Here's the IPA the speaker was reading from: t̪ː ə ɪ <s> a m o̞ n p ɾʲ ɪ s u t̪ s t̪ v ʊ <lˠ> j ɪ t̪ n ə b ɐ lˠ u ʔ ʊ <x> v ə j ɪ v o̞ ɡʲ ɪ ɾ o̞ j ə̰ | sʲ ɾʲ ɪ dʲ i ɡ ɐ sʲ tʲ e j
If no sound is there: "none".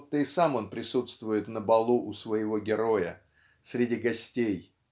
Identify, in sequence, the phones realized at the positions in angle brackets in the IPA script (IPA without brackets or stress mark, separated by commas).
s, none, s